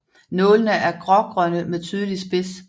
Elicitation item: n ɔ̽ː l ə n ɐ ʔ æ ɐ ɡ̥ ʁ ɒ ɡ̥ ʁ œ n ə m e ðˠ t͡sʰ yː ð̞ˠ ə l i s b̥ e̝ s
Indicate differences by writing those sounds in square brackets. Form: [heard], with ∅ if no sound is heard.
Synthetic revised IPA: n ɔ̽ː l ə n [ə] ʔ æ ɐ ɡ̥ ʁ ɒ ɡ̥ ʁ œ n ə m e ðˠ t͡sʰ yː ð̞ˠ ə l i s b̥ e̝ s